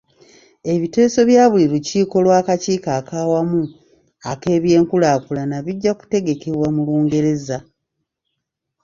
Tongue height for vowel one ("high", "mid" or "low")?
mid